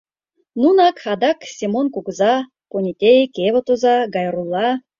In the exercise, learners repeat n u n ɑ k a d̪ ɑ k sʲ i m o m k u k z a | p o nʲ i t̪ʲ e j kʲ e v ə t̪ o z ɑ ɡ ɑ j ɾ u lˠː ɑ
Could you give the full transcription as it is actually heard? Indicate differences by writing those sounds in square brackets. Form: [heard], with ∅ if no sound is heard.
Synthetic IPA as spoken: n u n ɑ k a d̪ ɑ k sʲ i m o [n] k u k z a | p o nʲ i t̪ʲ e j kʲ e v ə t̪ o z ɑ ɡ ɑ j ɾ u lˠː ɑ

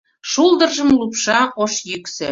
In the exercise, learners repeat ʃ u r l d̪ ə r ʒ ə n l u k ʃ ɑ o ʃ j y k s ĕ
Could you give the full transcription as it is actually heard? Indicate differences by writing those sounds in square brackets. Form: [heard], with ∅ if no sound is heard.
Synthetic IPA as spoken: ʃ u [∅] l d̪ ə r ʒ ə [m] l u [p] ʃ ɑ o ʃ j y k s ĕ

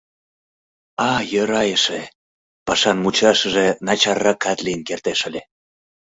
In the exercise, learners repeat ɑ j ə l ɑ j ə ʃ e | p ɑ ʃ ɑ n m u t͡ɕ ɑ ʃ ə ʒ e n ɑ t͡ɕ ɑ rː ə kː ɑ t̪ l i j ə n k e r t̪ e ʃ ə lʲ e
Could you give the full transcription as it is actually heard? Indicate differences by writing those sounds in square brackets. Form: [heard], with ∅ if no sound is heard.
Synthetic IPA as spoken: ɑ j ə [ɾ] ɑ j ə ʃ e | p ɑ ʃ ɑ n m u t͡ɕ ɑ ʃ ə ʒ e n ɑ t͡ɕ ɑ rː [ɑ] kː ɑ t̪ l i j ə n k e r t̪ e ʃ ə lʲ e

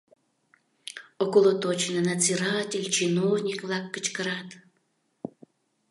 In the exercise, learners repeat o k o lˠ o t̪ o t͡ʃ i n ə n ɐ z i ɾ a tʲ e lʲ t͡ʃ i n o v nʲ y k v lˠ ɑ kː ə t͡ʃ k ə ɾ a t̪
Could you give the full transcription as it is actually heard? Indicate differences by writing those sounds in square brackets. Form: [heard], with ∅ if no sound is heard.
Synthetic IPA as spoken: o k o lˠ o t̪ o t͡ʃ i n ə n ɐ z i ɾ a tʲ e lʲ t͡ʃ i n o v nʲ [i] k v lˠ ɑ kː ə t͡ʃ k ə ɾ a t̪

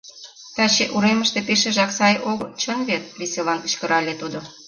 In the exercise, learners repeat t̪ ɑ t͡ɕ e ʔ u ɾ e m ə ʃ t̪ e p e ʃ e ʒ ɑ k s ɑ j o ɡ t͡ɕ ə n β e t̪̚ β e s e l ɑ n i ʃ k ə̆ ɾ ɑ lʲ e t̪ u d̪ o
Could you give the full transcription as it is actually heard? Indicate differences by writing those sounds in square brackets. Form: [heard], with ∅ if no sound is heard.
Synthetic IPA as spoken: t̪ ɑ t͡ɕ e ʔ u ɾ e m ə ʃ t̪ e p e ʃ e ʒ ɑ k s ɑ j o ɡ t͡ɕ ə n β e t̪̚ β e s e l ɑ n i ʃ k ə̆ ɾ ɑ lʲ e t̪ u d̪ o

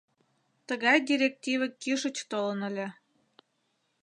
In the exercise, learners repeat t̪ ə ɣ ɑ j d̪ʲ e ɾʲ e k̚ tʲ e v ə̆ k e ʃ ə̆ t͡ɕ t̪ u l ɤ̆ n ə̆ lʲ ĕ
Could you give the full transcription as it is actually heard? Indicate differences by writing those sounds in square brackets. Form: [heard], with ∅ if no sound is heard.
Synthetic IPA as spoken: t̪ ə ɣ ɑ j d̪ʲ [i] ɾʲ e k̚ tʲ [i] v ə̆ k [i] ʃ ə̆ t͡ɕ t̪ [o] l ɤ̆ n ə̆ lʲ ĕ

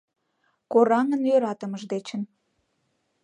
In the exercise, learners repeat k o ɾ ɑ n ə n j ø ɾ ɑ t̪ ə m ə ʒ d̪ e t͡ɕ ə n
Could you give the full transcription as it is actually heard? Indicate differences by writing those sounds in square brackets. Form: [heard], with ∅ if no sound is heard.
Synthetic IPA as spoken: k o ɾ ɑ [ŋ] ə n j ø ɾ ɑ t̪ ə m ə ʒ d̪ e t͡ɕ ə n

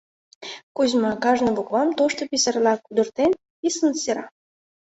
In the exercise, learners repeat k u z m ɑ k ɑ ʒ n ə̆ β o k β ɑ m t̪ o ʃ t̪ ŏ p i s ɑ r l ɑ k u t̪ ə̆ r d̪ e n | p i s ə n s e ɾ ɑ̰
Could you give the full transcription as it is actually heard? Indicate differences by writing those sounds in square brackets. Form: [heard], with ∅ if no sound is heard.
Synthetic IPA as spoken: k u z m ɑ k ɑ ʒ n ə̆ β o k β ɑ m t̪ o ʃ t̪ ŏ p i s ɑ r l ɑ k u [d̪] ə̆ r [t̪] e n | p i s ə n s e ɾ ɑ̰

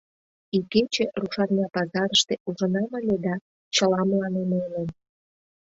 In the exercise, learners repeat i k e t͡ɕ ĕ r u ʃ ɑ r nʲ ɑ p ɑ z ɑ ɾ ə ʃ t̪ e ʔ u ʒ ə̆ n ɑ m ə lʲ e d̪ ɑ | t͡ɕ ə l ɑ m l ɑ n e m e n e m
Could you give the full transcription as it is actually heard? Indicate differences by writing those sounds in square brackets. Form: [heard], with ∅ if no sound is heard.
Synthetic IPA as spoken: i k e t͡ɕ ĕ r u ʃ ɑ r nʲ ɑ p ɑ z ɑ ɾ ə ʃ t̪ e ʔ u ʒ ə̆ n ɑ m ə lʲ e d̪ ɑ | t͡ɕ ə l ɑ m l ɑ n e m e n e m

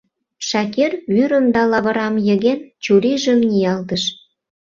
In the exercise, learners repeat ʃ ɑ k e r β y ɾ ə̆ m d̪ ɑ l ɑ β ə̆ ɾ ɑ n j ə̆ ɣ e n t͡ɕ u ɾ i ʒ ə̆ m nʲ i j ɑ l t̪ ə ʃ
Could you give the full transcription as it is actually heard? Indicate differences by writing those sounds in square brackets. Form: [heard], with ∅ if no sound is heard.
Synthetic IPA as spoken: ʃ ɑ k e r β y ɾ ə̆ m d̪ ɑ l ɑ β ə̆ ɾ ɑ [m] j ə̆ ɣ e n t͡ɕ u ɾ i ʒ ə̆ m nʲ i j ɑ l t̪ ə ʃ

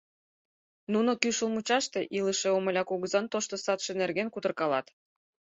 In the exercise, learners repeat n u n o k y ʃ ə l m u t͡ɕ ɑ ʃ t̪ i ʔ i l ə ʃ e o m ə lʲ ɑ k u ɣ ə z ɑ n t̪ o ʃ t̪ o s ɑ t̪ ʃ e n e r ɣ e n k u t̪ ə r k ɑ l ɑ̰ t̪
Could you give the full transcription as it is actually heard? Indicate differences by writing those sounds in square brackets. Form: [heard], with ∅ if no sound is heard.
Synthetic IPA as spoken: n u n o k y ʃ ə l m u t͡ɕ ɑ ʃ t̪ [e] ʔ i l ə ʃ e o m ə lʲ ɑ k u ɣ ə z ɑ n t̪ o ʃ t̪ o s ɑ t̪ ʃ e n e r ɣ e n k u t̪ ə r k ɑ l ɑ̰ t̪

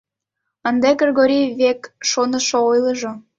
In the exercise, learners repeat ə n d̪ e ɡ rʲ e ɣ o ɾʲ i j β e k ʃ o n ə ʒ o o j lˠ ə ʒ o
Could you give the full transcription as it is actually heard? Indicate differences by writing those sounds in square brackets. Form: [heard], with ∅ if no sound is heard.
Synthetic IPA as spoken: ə n d̪ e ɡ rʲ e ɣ o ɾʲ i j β e k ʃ o n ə [ʃ] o o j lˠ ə ʒ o

